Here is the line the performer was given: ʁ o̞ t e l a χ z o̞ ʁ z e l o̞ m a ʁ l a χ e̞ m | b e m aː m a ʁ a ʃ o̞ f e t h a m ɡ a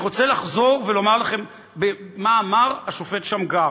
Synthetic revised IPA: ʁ o̞ t͡s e l a χ z o̞ ʁ v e l o̞ m a ʁ l a χ e̞ m | b e m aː m a ʁ a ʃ o̞ f e t ʃ a m ɡ a

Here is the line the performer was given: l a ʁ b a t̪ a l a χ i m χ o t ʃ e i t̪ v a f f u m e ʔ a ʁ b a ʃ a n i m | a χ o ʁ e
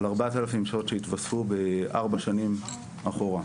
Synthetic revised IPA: l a ʁ b a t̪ a l a f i m ʃ o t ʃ e i t̪ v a s f u b e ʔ a ʁ b a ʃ a n i m | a χ o ʁ a

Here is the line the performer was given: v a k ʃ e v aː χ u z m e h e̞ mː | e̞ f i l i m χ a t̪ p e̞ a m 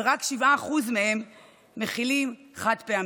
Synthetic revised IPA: ʁ a k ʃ i v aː χ u z m e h e̞ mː | e̞ χ i l i m χ a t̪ p e̞ a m

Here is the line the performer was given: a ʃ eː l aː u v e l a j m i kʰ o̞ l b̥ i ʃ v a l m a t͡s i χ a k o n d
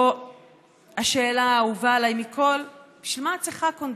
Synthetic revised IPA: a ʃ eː l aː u v a l a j m i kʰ o̞ l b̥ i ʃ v i l m a t͡s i χ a k o n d

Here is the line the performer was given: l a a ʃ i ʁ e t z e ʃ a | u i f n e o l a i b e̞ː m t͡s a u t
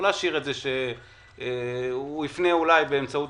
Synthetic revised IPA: l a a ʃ i ʁ e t z e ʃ e | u i f n e u l a j b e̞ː m t͡s a u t

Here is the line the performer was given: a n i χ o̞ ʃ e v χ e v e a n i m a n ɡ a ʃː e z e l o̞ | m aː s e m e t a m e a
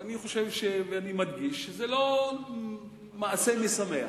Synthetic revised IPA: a n i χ o̞ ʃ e v ʃ e v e a n i m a d ɡ i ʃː e z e l o̞ | m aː s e m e s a m e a

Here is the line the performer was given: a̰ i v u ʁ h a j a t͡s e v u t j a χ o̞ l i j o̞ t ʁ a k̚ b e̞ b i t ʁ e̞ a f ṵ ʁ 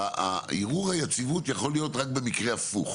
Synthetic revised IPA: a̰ i ʁ u ʁ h a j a t͡s i v u t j a χ o̞ l i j o̞ t ʁ a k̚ b e̞ m i k ʁ e̞ a f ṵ χ

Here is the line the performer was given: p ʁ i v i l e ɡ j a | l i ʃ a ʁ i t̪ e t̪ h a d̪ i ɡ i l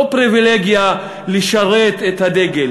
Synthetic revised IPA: p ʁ i v i l e ɡ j a | l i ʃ a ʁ e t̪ e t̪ h a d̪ e ɡ e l

